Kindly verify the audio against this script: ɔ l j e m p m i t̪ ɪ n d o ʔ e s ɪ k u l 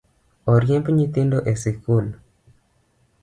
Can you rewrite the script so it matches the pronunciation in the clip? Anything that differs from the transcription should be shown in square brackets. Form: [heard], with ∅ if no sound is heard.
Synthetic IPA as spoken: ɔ [ɾ] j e m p [ɲ] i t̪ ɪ n d o ʔ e s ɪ k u l